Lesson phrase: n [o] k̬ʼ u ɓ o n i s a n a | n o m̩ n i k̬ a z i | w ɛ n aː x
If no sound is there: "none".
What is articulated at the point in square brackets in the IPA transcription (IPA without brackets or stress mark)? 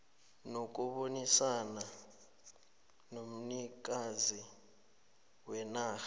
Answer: o